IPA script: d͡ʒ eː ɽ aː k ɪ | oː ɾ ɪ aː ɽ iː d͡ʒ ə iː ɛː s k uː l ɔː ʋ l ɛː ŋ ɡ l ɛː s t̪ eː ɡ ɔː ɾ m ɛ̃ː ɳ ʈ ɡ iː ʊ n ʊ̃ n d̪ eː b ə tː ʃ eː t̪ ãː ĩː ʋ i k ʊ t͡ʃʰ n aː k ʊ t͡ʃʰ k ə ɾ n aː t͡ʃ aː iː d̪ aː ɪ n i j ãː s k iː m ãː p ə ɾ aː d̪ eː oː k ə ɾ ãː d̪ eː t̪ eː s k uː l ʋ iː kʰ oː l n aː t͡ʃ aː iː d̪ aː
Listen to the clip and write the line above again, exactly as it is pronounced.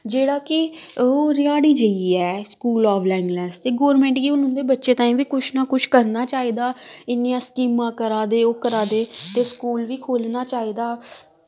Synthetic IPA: d͡ʒ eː ɽ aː k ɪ | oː ɾ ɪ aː ɽ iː d͡ʒ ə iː ɛː s k uː l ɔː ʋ l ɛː ŋ ɡ l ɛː s t̪ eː ɡ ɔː ɾ m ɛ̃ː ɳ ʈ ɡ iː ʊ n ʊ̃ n d̪ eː b ə tː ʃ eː t̪ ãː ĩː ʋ iː k ʊ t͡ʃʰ n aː k ʊ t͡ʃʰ k ə ɾ n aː t͡ʃ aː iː d̪ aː ɪ n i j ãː s k iː m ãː k ə ɾ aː d̪ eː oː k ə ɾ aː d̪ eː t̪ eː s k uː l ʋ iː kʰ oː l n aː t͡ʃ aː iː d̪ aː